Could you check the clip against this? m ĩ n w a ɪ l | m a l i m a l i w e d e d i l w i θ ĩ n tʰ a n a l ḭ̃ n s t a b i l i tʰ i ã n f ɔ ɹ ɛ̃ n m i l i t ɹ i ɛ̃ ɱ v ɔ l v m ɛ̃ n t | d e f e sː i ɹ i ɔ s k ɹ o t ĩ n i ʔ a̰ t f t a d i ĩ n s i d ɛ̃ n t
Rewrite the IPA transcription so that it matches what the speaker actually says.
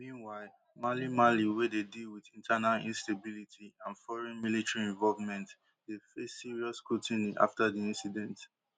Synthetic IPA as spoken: m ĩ n w a ɪ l | m a l i m a l i w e d e d i l w i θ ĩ n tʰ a n a l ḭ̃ n s t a b i l i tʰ i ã n f ɔ ɹ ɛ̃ n m i l i t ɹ i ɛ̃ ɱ v ɔ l v m ɛ̃ n t | d e f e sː i ɹ i ɔ s k ɹ u t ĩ n i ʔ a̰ f t a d i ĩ n s i d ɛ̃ n t